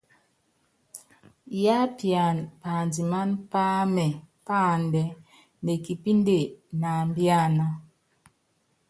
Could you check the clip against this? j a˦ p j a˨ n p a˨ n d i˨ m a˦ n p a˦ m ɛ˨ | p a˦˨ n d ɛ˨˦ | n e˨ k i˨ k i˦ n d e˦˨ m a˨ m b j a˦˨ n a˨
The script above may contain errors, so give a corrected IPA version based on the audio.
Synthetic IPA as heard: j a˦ p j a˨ n p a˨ n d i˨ m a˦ n p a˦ m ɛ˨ | p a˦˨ n d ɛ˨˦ | n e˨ k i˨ p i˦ n d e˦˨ n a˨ m b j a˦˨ n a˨